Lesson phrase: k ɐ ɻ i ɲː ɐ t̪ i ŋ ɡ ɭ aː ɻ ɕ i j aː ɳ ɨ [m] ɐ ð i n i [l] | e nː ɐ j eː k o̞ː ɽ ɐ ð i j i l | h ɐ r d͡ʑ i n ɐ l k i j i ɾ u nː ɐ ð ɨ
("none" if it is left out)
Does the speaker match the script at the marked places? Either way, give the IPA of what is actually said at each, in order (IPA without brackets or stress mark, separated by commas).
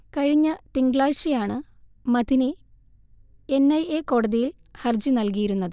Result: m, none